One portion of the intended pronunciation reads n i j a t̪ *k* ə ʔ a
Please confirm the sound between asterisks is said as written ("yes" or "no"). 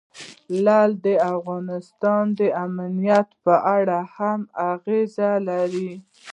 no